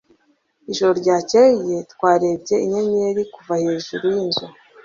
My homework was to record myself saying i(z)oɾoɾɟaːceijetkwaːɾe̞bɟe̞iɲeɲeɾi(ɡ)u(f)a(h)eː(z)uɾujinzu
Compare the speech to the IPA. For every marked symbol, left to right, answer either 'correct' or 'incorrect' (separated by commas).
incorrect, incorrect, incorrect, correct, incorrect